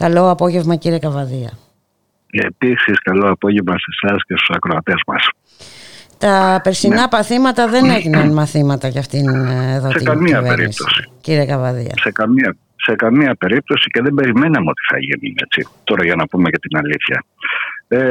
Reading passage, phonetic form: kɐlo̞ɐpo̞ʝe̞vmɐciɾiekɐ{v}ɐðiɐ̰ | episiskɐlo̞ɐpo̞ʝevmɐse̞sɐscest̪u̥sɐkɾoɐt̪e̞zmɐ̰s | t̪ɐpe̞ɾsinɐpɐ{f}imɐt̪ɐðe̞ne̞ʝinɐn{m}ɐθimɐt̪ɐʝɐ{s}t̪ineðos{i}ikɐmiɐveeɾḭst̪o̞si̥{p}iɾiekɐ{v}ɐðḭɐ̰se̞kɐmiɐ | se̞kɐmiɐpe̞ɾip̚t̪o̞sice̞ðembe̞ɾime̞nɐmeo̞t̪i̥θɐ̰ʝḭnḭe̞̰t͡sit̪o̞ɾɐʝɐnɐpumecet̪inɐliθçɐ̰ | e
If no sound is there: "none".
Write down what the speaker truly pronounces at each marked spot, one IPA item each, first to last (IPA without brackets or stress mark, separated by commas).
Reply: v, θ, m, f, e, c, v